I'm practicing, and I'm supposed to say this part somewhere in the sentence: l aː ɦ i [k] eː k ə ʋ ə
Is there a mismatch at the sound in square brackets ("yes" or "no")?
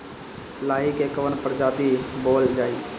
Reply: no